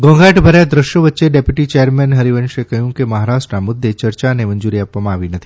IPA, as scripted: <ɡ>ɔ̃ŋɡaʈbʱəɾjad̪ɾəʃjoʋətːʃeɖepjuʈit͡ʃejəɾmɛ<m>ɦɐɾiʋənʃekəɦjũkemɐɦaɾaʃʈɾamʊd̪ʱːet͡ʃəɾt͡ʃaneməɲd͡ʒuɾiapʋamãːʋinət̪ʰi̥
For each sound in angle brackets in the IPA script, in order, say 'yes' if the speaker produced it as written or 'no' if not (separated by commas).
yes, no